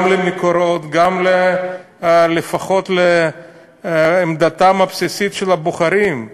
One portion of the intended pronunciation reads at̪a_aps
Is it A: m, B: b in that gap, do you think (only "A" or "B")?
A